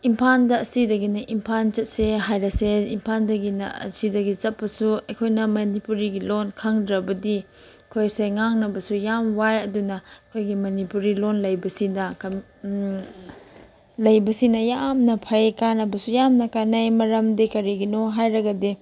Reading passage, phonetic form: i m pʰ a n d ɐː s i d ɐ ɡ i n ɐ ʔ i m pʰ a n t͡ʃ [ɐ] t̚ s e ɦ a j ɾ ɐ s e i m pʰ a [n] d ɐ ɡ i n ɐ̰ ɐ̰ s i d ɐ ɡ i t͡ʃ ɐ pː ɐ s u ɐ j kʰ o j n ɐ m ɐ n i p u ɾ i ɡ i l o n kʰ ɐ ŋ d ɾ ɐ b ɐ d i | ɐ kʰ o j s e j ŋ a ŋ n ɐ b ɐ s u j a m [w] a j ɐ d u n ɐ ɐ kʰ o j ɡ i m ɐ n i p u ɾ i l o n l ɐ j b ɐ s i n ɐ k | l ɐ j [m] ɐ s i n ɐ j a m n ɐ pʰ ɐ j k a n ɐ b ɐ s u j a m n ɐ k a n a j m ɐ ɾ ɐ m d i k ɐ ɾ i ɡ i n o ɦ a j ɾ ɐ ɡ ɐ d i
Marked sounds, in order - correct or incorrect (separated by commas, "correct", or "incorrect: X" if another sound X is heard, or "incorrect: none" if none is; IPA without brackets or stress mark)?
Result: correct, correct, correct, incorrect: b